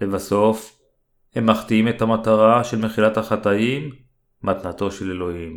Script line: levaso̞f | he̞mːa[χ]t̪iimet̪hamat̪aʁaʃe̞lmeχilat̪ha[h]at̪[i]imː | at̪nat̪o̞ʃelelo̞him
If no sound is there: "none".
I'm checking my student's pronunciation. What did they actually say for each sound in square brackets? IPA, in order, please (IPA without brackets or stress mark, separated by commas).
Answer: χ, χ, a